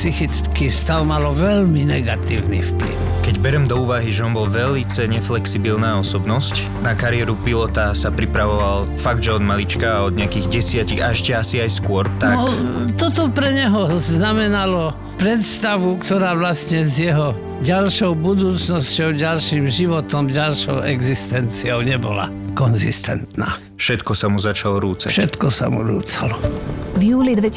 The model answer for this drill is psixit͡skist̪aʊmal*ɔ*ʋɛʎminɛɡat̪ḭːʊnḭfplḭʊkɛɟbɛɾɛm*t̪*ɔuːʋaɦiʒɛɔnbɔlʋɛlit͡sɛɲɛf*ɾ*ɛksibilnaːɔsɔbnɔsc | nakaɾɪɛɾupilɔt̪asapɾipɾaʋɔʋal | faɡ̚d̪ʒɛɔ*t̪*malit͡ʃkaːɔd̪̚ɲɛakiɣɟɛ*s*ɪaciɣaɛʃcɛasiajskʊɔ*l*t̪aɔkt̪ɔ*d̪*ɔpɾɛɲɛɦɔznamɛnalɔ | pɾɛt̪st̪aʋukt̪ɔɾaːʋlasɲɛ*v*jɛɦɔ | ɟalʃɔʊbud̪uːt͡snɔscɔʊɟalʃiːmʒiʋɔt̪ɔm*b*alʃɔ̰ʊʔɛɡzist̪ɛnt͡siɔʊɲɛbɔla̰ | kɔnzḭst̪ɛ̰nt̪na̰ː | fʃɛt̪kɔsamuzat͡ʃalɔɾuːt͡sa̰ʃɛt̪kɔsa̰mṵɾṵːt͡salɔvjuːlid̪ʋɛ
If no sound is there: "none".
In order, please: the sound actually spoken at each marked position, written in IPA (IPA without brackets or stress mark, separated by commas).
ɔ, d̪, l, d̪, s, ɾ, t̪, z, ɟ